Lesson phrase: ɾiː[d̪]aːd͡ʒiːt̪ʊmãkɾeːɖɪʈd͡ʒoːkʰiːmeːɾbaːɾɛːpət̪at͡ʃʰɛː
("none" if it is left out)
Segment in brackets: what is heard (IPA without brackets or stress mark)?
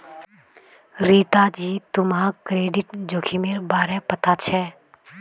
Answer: t̪